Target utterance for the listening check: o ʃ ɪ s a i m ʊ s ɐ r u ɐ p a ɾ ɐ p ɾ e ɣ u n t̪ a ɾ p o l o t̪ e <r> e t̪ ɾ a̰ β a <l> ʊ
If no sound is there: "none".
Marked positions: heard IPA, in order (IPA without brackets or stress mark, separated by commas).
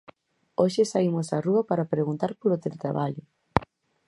l, ʎ